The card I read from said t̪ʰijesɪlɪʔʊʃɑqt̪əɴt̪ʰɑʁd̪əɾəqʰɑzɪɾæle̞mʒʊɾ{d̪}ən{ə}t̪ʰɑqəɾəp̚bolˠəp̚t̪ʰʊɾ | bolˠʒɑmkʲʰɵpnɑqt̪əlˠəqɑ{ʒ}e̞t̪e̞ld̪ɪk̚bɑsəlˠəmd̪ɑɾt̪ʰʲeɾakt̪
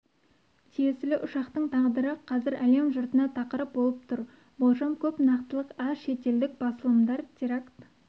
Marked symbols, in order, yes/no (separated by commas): no, no, no